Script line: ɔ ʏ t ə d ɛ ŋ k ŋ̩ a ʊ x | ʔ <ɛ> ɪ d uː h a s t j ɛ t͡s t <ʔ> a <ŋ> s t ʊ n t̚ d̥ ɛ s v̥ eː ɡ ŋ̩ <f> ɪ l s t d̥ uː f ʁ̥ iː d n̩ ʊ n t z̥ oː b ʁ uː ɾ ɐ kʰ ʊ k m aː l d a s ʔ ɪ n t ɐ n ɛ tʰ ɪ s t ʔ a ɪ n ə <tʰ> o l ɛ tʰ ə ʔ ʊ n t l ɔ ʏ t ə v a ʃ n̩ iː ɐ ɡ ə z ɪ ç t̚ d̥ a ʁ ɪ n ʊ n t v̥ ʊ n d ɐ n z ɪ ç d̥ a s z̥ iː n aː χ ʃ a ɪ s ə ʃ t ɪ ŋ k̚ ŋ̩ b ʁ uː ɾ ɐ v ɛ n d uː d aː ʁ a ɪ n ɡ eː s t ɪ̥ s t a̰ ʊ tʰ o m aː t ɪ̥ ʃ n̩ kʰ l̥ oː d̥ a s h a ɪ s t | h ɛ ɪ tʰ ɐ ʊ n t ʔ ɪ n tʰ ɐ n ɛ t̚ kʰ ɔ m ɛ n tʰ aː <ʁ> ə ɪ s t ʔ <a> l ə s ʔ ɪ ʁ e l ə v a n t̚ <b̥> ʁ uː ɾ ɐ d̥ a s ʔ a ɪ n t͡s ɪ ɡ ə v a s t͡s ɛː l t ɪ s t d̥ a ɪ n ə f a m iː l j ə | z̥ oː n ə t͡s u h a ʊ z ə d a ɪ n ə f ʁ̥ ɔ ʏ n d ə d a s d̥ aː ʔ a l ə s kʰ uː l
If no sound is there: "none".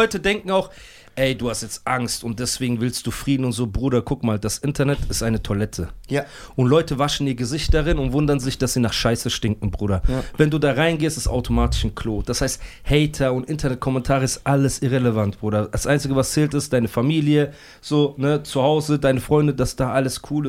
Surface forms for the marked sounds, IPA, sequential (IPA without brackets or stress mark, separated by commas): ɛ, ʔ, ŋ, v, tʰ, ʁ, a, b̥